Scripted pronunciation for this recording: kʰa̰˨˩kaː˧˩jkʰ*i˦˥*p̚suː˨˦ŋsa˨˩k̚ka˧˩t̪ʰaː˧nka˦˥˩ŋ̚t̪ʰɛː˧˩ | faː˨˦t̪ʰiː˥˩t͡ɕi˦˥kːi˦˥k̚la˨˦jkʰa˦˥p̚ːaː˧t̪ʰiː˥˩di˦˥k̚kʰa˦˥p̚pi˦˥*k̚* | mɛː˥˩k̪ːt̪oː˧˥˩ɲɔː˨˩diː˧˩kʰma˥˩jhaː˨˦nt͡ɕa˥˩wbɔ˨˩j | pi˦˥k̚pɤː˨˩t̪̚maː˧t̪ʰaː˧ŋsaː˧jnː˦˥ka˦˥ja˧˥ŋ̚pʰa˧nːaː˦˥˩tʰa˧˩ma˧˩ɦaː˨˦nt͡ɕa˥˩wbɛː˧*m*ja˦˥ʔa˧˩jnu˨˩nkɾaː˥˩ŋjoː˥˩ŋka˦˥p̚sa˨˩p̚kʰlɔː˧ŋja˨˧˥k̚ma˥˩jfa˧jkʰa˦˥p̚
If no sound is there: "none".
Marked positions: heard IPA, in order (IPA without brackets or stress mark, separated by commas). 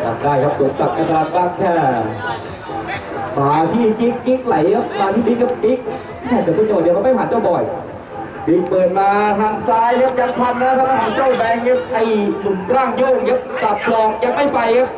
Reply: a˦˥, k̚, ŋ